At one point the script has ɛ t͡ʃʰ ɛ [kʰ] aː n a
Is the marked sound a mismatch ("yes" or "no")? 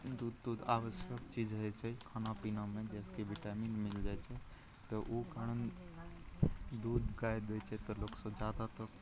no